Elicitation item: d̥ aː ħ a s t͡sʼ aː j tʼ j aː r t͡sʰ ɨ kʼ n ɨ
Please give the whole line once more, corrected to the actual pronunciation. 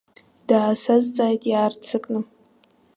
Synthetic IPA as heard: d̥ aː s a z t͡sʼ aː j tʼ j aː r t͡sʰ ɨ kʼ n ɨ